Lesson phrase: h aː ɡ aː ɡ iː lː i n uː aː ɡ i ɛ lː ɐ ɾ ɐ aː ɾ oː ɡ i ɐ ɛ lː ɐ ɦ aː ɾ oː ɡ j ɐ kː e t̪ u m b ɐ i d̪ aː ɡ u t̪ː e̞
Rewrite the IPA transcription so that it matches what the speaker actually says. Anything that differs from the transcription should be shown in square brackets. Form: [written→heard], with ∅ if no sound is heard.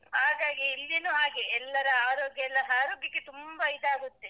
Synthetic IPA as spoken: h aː ɡ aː ɡ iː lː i n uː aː ɡ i ɛ lː ɐ ɾ ɐ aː ɾ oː ɡ [i→j] ɐ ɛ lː ɐ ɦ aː ɾ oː ɡ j ɐ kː e t̪ u m b ɐ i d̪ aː ɡ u t̪ː e̞